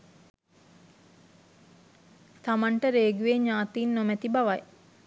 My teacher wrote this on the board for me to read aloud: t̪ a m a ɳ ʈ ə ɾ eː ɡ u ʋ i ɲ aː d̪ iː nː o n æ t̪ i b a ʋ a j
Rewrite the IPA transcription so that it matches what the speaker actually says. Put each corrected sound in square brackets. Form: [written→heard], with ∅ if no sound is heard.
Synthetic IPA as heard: t̪ a m a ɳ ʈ ə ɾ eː ɡ u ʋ [i→e] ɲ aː [d̪→t̪] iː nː o [n→m] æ t̪ i b a ʋ a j